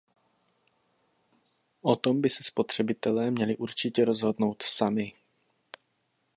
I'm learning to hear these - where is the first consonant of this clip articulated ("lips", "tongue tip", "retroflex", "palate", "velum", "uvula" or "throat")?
throat